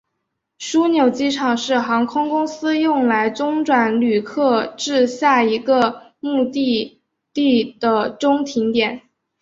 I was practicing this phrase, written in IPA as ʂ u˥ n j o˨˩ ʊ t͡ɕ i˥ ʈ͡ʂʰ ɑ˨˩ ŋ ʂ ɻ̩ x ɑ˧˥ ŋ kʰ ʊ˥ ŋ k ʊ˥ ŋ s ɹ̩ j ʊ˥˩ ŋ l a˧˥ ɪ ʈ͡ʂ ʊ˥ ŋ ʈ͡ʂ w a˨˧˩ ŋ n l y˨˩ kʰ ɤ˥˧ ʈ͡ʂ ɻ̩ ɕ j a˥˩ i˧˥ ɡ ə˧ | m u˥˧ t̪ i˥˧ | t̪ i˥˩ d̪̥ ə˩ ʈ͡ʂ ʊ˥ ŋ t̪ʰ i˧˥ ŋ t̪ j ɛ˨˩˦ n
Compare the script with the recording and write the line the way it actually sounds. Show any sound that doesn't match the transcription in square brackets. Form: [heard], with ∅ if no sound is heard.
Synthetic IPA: ʂ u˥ n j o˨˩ ʊ t͡ɕ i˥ ʈ͡ʂʰ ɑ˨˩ ŋ ʂ ɻ̩ x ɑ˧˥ ŋ kʰ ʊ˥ ŋ k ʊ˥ ŋ s ɹ̩ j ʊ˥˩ ŋ l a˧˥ ɪ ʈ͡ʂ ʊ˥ ŋ ʈ͡ʂ w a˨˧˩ [∅] n l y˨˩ kʰ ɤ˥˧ ʈ͡ʂ ɻ̩ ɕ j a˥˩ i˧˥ ɡ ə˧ | m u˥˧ t̪ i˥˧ | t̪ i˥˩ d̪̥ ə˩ ʈ͡ʂ ʊ˥ ŋ t̪ʰ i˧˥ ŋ t̪ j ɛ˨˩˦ n